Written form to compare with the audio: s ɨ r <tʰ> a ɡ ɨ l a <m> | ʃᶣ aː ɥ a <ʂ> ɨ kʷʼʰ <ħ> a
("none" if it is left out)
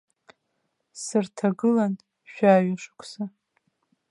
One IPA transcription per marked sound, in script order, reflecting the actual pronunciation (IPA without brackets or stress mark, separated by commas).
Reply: tʰ, n, ʂ, s